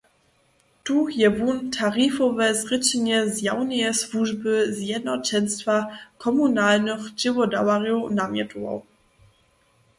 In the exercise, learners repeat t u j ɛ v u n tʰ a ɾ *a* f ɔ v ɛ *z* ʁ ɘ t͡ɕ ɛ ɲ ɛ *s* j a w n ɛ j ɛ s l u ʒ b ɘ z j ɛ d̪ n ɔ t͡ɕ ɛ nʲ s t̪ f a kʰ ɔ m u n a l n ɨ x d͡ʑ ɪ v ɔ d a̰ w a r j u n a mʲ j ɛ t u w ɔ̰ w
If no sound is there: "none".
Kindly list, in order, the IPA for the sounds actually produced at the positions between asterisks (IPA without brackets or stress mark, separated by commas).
i, z, z